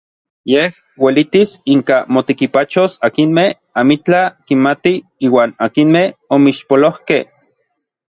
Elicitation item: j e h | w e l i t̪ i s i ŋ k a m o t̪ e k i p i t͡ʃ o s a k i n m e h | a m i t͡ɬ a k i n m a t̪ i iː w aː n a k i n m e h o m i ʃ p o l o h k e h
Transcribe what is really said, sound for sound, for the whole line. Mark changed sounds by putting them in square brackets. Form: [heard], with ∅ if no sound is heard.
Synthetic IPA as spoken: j e h | w e l i t̪ i s i ŋ k a m o t̪ e k i p [a] t͡ʃ o s a k i n m e h | a m i t͡ɬ a k i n m a t̪ i iː w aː n a k i n m e h o m i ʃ p o l o h k e h